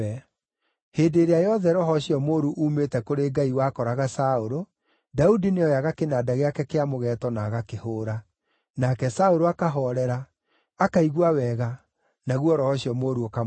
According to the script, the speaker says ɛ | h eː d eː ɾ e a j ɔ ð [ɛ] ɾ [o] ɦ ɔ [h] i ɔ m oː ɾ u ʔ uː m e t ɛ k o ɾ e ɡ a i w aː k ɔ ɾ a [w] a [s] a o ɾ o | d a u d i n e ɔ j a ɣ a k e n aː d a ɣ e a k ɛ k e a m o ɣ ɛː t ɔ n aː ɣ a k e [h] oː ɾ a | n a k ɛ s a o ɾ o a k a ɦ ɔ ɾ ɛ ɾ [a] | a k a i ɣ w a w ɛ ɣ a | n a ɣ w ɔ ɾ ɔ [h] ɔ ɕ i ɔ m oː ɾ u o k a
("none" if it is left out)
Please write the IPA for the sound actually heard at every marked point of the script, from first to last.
ɛ, ɔ, ɕ, ɣ, s, h, a, h

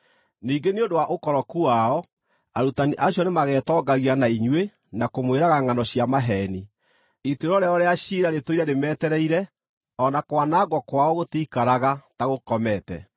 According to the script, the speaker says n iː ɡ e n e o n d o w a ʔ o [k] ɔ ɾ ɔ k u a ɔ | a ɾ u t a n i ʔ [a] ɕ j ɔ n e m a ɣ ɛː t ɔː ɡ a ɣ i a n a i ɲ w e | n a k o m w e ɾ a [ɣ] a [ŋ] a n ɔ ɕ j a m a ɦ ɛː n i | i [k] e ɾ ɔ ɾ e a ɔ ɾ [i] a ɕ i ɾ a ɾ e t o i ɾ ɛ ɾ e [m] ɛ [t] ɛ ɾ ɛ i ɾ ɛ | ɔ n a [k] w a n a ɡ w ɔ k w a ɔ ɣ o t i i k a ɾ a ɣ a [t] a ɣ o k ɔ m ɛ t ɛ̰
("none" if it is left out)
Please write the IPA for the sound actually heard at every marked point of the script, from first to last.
k, a, ɣ, ŋ, t, e, m, t, k, t

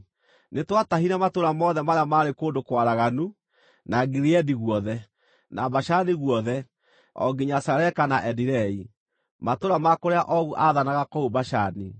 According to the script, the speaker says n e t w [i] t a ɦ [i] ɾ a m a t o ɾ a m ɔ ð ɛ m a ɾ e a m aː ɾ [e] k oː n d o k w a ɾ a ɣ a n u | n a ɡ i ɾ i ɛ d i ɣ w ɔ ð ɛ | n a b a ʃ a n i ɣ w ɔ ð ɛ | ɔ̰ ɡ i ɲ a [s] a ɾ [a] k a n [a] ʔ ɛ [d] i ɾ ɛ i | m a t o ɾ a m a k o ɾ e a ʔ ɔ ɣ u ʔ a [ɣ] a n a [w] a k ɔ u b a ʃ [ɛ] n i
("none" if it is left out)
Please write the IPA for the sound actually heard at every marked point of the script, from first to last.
a, i, e, s, ɛ, a, d, ð, ɣ, a

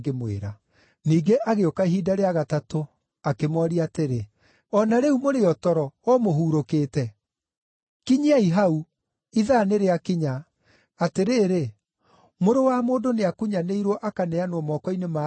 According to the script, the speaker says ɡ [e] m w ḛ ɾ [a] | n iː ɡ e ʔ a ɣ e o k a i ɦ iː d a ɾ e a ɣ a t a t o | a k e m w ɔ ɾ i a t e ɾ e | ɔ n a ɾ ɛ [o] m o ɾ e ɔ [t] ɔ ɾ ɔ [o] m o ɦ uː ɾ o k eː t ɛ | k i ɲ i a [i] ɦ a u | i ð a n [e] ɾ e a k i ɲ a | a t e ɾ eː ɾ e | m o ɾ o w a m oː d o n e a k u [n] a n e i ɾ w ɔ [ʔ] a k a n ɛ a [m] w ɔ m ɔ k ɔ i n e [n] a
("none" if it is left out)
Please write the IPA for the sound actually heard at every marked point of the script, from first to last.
e, a, u, t, ɔ, i, e, ɲ, ʔ, n, m

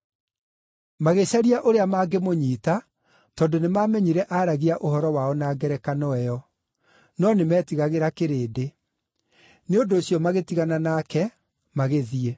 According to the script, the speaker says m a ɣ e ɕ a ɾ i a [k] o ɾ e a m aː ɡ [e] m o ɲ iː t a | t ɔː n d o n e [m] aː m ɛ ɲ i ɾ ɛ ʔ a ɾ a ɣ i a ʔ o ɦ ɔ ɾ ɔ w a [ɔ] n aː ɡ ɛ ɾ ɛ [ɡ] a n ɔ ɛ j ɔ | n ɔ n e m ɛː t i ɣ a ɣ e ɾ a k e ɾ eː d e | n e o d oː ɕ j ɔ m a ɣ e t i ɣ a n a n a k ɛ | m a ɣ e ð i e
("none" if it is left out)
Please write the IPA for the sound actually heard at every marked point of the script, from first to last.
ʔ, e, m, ɔ, k

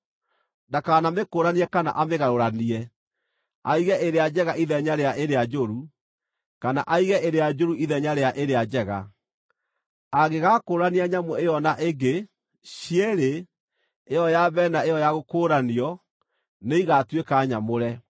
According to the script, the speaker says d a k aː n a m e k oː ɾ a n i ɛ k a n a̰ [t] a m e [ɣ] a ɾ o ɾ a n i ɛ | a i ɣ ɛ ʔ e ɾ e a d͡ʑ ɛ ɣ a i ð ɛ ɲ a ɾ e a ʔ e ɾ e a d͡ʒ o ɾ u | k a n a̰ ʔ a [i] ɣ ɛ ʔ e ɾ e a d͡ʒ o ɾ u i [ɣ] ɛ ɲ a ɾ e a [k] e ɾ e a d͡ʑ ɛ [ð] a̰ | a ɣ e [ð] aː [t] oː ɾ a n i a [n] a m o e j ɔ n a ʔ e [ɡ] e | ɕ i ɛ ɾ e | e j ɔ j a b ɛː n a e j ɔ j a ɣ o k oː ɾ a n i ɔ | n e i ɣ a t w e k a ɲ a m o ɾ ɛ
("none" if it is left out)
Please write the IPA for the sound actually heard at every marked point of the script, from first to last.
ʔ, ɣ, i, ð, ʔ, ɣ, ɣ, k, ɲ, ɡ

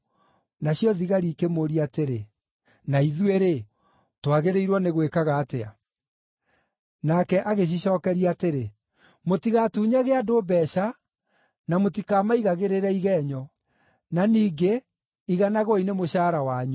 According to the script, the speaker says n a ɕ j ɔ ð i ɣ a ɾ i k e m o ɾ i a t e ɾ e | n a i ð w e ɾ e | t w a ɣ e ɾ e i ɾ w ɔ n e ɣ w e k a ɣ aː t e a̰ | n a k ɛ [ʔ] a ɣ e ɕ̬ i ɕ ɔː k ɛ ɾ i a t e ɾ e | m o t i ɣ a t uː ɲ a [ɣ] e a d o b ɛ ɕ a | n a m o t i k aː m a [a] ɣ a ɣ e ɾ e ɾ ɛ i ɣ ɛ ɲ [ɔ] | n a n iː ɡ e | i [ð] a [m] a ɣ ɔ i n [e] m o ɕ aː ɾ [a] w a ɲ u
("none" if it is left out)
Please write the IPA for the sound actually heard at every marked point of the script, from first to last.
ʔ, ɣ, i, ɔ, ɣ, n, e, a

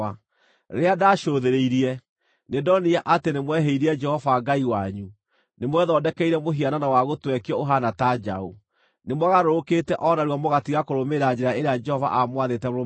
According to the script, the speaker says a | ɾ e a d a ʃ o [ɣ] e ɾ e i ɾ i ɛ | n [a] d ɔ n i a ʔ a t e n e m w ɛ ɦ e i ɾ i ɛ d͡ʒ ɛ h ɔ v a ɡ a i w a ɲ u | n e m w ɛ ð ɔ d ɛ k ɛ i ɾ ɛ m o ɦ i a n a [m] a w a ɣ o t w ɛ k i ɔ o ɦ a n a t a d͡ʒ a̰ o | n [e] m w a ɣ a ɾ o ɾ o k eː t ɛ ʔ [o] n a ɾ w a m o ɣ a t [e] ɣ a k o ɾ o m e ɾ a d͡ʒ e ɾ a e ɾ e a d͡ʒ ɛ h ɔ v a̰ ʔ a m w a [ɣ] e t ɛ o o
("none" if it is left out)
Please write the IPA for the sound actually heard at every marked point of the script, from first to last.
ð, e, n, e, ɔ, i, ð

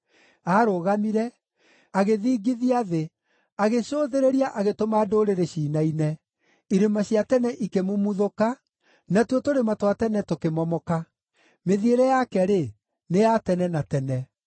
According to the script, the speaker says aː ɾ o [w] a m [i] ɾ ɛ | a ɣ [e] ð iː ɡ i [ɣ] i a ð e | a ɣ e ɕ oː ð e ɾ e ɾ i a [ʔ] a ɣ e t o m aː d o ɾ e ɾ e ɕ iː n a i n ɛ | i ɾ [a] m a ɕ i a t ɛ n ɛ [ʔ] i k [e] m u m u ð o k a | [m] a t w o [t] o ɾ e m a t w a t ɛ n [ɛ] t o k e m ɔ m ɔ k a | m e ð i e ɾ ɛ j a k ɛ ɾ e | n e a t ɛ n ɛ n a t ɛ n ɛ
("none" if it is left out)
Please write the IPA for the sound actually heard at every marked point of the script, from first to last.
ɣ, i, e, ð, ʔ, e, ʔ, e, n, t, ɛ

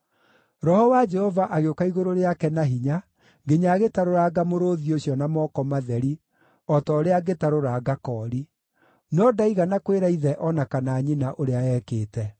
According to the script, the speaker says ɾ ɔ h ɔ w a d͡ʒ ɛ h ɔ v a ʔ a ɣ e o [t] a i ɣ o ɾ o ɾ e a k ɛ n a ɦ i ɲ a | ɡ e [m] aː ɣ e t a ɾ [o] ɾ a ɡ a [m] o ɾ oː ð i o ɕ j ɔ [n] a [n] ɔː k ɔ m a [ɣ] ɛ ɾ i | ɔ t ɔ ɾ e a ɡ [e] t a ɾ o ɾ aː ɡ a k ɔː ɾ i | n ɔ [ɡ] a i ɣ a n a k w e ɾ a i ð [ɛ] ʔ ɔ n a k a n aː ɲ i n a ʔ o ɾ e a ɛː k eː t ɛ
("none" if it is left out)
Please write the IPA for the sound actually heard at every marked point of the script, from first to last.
k, ɲ, o, m, n, m, ð, e, d, ɛ

